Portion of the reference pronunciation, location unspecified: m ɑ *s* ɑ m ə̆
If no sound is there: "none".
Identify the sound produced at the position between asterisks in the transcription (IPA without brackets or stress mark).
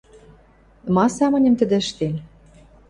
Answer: s